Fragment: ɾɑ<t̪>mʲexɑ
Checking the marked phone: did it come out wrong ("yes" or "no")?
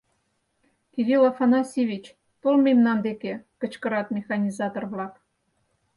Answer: no